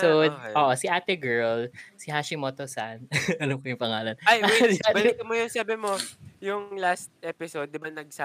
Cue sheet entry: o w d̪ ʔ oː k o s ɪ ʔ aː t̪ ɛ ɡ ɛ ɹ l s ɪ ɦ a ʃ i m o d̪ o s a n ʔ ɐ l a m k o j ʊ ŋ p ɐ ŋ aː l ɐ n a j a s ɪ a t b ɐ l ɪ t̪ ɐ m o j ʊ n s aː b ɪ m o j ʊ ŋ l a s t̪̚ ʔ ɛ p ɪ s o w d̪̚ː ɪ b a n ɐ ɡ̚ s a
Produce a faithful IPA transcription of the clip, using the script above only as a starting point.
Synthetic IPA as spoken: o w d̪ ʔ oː ʔ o s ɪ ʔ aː t̪ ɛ ɡ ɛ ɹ l s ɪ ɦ a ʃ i m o t̪ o s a n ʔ ɐ l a m k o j ʊ ŋ p ɐ ŋ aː l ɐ n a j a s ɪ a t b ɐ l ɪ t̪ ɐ m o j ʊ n s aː b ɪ m o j ʊ ŋ l a s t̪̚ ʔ ɛ p ɪ s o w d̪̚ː ɪ b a n ɐ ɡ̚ s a